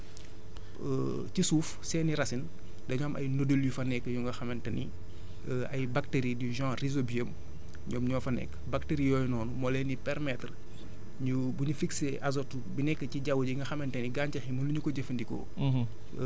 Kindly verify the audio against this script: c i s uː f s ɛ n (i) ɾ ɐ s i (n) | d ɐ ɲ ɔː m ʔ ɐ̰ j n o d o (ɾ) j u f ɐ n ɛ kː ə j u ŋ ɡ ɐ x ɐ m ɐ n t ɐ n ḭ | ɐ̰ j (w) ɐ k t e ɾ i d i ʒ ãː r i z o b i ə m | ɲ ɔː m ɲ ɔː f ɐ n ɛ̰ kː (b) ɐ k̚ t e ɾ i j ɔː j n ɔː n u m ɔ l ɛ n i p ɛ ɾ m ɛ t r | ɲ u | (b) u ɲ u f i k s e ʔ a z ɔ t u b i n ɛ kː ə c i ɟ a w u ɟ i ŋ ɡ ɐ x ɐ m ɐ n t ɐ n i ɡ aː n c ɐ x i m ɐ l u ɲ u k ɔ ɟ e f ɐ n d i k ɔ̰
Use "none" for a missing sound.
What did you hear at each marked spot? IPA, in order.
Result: i, n, l, b, b, b

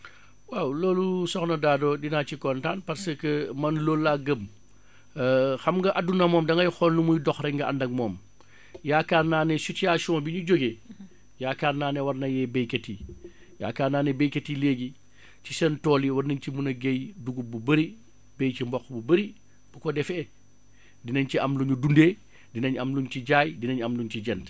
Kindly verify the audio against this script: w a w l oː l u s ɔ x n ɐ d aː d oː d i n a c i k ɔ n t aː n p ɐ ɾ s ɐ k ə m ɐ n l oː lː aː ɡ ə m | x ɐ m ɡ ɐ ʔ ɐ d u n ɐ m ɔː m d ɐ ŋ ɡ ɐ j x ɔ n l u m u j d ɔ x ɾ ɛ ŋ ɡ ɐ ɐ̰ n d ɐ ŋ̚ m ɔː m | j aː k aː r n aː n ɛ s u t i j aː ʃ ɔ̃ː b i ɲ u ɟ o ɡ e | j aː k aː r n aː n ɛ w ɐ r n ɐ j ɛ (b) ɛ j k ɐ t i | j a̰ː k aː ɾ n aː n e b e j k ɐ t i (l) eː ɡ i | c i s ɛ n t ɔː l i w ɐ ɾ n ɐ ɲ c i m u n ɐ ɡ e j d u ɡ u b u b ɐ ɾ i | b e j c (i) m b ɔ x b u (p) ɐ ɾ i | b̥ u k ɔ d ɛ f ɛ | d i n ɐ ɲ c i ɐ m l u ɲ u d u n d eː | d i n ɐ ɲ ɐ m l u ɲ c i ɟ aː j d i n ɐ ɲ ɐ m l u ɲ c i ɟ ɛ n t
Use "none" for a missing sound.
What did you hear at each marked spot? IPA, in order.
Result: b, l, i, b

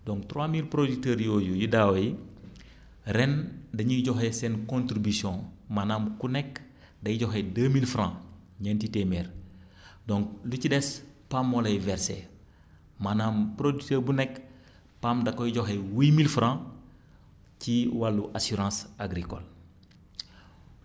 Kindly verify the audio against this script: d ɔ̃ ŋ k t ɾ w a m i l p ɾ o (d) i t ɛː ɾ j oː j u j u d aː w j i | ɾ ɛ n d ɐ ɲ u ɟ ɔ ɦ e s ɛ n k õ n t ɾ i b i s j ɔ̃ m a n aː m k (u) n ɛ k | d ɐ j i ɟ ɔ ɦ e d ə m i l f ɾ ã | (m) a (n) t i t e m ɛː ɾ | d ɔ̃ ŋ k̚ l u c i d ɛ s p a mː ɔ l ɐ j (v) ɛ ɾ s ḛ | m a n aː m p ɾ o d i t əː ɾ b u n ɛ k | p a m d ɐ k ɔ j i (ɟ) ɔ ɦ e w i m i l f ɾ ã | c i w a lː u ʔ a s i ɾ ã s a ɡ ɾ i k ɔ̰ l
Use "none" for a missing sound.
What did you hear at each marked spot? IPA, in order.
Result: d, u, ɲ, n, v, ɟ

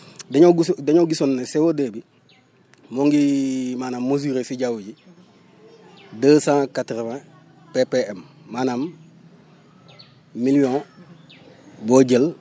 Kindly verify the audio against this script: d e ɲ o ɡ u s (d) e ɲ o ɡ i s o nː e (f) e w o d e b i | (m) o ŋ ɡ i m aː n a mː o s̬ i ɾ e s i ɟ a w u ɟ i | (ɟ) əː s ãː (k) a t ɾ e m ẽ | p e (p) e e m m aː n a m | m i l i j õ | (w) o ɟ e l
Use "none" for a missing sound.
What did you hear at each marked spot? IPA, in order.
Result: d, s, m, d, k, p, b

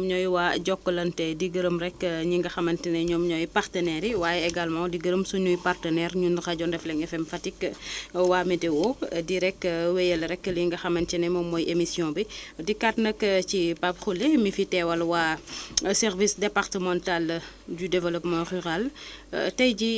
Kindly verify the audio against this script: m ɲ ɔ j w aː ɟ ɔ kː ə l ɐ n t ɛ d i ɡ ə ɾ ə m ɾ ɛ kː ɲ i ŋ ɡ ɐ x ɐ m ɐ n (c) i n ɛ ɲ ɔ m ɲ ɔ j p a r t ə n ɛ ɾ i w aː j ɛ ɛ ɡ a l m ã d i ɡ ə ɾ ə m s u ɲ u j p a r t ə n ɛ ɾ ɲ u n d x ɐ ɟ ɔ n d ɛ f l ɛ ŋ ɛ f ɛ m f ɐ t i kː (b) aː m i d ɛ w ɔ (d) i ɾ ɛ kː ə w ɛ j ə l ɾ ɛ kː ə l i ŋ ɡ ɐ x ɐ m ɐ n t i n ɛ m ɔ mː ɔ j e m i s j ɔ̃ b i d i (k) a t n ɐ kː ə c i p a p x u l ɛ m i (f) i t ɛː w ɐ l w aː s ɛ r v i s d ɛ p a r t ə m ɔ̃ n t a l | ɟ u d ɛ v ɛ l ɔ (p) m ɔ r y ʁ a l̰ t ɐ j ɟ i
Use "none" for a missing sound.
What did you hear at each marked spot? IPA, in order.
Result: t, w, d, k, f, p

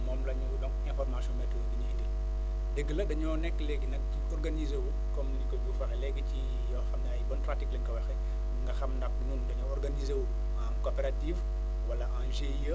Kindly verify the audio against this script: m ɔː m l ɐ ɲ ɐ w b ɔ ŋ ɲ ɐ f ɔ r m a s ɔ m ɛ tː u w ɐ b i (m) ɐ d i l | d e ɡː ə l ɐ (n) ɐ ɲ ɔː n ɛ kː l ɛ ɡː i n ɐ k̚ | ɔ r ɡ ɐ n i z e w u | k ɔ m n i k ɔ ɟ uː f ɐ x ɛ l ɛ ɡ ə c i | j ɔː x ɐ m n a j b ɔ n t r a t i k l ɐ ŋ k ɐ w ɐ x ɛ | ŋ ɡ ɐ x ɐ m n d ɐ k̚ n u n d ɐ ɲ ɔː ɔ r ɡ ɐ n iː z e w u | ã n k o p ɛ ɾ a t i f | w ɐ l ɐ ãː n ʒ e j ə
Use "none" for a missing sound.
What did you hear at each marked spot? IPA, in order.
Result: ɲ, d

